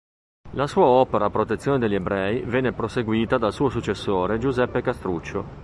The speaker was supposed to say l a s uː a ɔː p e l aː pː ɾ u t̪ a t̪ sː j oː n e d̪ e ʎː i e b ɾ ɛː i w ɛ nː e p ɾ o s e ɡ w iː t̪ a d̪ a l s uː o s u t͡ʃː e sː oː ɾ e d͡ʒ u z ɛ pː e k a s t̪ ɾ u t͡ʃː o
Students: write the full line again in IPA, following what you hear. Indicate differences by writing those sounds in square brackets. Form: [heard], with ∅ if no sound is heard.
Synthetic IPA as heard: l a s uː a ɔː p e [ɾ] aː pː ɾ [o] t̪ [e] t̪ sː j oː n e d̪ e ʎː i e b ɾ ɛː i [v] ɛ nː e p ɾ o s e ɡ w iː t̪ a d̪ a l s uː o s u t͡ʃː e sː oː ɾ e d͡ʒ u z ɛ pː e k a s t̪ ɾ u t͡ʃː o